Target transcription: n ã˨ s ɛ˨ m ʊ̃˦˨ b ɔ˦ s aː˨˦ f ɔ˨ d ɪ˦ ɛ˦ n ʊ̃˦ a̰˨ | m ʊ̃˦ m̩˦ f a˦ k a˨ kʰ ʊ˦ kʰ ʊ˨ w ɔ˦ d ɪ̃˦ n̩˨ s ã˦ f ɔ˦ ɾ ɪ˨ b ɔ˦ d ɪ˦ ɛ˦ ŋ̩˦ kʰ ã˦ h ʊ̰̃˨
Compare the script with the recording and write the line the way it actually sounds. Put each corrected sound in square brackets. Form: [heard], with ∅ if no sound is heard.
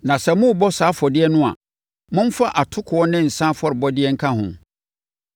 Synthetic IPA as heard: n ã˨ s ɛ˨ m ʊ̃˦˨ b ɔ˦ s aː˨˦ f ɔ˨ d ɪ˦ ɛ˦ n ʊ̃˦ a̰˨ | m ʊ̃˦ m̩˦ f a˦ [ʔ] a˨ [tʰ] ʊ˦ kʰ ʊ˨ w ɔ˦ [n] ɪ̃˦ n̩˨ s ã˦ f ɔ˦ ɾ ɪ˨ b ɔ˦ d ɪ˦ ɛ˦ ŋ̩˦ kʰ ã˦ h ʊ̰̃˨